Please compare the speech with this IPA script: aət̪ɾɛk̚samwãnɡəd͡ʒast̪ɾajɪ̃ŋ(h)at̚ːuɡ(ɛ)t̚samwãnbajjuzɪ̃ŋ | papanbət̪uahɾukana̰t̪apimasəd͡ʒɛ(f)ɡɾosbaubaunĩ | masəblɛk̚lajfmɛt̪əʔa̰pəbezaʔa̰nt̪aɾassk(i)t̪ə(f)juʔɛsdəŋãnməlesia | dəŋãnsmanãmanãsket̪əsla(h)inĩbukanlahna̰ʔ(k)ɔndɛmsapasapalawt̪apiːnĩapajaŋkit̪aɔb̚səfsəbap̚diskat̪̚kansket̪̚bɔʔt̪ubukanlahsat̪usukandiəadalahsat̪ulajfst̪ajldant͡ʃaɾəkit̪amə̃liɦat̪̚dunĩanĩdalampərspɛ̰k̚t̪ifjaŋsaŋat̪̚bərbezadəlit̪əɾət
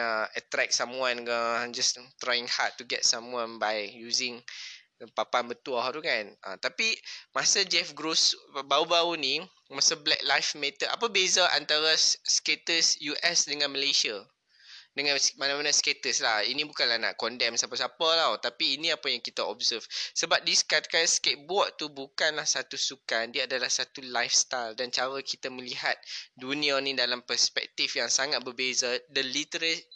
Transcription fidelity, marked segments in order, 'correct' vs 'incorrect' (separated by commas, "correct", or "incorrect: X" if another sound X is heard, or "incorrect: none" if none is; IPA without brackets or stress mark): correct, correct, correct, incorrect: e, incorrect: s, correct, correct